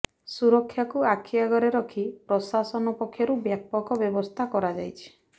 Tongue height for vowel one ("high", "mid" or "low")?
high